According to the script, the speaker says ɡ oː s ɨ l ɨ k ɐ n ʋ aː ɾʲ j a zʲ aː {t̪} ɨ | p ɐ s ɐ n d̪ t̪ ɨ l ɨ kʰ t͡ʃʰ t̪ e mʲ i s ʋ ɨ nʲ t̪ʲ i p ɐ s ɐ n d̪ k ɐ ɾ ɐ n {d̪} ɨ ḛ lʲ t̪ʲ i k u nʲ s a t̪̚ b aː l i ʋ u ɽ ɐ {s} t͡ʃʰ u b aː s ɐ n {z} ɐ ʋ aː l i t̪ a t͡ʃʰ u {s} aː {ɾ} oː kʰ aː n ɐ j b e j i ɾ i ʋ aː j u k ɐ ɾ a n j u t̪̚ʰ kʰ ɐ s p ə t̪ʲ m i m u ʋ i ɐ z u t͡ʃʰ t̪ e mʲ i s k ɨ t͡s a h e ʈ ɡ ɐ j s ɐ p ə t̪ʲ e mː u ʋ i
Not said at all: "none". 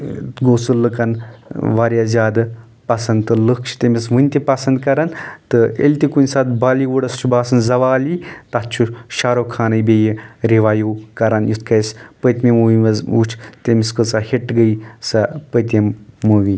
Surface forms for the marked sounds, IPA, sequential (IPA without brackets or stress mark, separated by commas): d̪, t̪, s, z, ʃ, ɾ